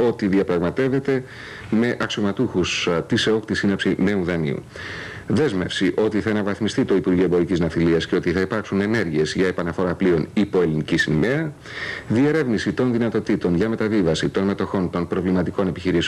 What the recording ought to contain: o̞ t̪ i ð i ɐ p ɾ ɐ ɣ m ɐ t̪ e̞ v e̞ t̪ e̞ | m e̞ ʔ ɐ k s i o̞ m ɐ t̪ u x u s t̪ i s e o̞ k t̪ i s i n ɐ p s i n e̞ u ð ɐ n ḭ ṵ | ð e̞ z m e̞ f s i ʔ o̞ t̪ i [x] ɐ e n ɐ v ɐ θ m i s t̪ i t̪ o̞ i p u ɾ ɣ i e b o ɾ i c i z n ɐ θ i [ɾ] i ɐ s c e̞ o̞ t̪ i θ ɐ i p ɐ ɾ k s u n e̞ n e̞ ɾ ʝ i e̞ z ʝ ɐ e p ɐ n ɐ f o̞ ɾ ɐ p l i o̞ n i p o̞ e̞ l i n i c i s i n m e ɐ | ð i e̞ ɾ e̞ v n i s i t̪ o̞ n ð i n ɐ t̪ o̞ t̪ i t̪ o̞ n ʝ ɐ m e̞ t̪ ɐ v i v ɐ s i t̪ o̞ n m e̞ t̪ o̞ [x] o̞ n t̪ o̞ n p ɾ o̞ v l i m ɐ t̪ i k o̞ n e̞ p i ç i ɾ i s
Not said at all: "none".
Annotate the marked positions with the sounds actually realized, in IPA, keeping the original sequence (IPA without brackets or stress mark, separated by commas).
θ, l, x